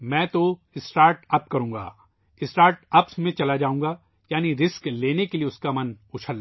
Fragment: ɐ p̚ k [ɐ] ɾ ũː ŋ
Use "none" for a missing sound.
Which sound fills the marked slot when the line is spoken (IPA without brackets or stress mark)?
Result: ɐ